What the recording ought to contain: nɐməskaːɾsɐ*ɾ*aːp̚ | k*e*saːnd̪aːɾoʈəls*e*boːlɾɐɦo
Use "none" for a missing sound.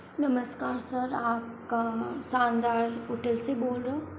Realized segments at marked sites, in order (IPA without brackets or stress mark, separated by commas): ɾ, a, e